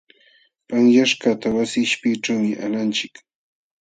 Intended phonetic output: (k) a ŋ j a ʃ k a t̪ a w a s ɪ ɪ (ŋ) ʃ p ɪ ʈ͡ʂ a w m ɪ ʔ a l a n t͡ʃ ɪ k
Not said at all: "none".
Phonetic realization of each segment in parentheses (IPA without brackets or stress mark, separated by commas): p, none